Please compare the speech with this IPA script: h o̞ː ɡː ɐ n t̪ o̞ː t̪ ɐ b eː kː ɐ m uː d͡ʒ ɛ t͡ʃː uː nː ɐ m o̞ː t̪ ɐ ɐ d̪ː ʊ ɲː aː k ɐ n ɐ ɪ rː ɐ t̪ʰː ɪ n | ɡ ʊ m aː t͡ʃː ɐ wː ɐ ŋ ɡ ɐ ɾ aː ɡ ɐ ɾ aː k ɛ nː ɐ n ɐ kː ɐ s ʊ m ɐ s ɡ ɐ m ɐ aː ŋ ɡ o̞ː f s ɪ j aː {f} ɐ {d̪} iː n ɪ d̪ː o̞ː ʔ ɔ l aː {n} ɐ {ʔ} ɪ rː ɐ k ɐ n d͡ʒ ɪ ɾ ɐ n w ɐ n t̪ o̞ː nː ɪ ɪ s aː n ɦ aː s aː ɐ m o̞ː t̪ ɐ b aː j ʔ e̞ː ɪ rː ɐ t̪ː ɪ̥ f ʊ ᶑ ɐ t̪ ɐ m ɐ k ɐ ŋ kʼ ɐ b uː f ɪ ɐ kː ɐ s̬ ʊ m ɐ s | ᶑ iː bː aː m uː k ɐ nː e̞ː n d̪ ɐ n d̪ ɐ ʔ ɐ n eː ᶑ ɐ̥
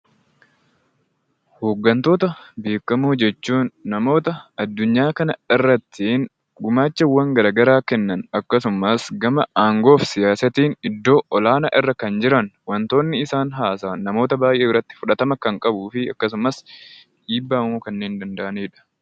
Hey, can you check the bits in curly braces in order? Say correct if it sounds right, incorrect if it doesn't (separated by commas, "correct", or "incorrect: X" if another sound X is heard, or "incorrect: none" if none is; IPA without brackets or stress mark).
incorrect: s, incorrect: t̪, correct, correct